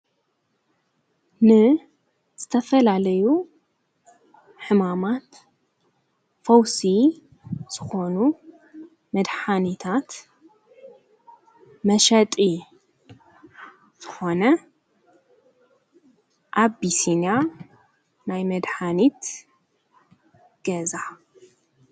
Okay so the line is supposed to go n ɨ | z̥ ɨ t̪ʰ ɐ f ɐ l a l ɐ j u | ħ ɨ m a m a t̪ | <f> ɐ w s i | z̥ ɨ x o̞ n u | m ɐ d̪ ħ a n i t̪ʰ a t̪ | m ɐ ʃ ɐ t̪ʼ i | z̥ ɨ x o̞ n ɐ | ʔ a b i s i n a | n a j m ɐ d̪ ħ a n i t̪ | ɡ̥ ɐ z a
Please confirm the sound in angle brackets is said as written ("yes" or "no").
yes